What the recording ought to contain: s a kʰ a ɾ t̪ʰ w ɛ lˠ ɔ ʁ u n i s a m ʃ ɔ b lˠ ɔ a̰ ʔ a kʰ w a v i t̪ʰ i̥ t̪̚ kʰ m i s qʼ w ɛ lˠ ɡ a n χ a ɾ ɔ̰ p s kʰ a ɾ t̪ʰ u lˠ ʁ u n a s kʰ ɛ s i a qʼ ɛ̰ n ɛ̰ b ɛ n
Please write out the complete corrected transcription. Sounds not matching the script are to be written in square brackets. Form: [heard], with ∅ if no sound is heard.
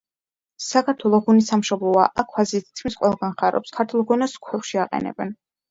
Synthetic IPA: s a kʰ a ɾ t̪ʰ w ɛ lˠ ɔ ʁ u n i s a m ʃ ɔ b lˠ ɔ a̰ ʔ a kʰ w a [z] i t̪ʰ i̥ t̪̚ kʰ m i s qʼ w ɛ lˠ ɡ a n χ a ɾ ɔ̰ p s kʰ a ɾ t̪ʰ u lˠ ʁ u n a s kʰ ɛ [ʃ] i a qʼ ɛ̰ n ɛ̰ b ɛ n